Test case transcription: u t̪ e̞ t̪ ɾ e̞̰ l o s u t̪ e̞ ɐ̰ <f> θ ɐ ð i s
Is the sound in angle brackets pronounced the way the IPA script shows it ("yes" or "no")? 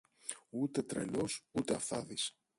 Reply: yes